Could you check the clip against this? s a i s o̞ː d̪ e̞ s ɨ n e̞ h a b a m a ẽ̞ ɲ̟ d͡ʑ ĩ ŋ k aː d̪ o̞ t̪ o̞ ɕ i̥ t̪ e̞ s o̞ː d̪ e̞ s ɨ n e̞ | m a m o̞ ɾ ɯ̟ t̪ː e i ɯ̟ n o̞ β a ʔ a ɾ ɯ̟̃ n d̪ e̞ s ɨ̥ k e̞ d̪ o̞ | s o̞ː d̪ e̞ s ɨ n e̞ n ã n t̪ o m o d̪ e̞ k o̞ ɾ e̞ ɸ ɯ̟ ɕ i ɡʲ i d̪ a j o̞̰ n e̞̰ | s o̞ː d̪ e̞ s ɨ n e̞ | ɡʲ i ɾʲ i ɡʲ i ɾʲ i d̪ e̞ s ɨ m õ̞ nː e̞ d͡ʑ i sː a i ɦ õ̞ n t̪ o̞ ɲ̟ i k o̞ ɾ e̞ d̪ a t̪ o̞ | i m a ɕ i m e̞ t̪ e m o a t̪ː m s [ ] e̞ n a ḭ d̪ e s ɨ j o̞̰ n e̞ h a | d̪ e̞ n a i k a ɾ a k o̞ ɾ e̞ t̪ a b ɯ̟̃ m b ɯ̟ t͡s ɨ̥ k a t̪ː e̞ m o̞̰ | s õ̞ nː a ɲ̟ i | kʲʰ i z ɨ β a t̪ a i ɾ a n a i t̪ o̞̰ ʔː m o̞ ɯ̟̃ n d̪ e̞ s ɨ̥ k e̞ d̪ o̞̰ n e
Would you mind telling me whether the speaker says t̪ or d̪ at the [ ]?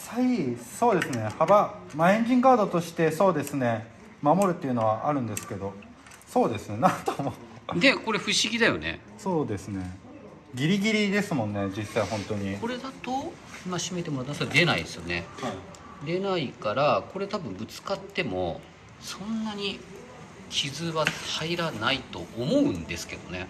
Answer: d̪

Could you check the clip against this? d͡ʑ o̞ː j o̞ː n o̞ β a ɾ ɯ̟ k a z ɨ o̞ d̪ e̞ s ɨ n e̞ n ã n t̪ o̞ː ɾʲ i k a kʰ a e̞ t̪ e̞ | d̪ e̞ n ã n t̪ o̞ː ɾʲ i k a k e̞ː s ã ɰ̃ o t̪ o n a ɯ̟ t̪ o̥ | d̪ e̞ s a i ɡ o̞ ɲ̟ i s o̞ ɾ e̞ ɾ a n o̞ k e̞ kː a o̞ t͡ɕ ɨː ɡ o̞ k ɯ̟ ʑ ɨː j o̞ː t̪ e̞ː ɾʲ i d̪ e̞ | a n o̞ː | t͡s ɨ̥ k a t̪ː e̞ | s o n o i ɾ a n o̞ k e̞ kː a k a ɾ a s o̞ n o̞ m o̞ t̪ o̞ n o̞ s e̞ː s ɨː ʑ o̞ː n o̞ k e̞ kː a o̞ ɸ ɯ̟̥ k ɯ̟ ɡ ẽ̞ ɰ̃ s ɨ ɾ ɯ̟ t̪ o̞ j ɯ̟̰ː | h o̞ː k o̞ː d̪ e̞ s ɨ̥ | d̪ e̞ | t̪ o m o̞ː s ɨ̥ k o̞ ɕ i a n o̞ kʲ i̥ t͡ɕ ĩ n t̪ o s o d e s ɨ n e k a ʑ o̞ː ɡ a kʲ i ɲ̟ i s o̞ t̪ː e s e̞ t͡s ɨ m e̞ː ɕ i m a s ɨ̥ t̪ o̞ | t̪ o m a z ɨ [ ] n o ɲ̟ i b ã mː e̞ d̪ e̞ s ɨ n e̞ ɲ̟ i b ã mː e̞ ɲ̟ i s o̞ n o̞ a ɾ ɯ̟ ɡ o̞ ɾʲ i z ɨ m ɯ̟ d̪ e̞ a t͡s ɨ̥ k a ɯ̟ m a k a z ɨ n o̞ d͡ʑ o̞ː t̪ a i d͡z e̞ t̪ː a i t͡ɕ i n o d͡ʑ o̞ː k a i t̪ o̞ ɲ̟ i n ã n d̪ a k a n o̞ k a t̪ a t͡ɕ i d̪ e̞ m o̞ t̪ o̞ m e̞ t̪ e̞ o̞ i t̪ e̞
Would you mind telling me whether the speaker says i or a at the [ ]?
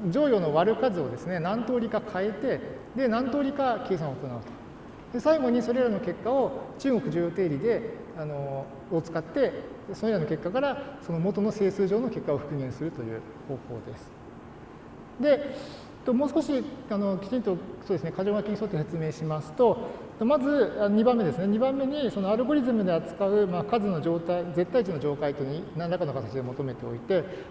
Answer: a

